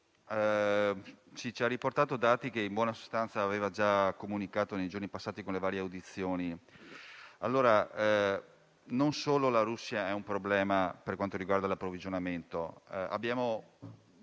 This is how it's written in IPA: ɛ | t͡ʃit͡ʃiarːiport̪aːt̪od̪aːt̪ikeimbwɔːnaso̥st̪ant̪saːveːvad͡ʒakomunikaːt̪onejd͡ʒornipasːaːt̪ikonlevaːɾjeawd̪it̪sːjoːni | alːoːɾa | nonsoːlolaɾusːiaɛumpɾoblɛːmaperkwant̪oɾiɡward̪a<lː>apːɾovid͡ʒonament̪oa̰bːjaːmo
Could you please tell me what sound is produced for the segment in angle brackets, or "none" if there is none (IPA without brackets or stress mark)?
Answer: l